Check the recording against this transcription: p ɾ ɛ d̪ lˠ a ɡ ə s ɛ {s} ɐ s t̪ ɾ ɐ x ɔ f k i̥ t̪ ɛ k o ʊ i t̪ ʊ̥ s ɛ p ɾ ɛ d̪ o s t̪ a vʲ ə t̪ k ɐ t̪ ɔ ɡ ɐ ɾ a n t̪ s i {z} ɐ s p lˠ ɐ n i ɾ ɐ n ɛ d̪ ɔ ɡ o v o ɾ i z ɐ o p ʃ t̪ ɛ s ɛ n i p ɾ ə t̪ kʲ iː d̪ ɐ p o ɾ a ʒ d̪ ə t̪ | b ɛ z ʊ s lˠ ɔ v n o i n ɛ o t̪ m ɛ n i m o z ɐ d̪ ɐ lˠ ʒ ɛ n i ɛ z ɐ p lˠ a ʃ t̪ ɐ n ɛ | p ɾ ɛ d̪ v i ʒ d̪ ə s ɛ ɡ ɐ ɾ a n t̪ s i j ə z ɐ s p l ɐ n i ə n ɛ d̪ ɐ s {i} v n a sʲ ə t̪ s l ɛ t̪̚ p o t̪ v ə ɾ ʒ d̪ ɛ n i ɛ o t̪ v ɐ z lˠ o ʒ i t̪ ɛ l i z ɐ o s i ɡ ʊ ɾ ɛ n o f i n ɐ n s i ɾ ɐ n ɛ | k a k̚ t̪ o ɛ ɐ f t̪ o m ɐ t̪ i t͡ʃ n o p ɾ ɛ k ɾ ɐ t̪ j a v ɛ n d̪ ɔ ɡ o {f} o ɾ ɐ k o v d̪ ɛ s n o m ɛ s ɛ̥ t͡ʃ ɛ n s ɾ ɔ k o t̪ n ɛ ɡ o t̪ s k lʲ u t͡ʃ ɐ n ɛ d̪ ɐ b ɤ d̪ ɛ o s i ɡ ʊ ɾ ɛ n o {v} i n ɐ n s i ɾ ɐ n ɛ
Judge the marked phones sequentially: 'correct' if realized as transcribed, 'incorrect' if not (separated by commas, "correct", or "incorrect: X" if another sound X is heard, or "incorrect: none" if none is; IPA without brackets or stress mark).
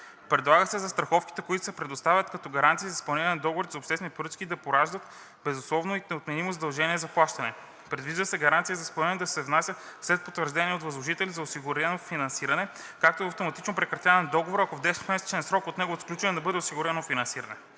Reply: incorrect: z, correct, incorrect: ɛ, incorrect: v, incorrect: f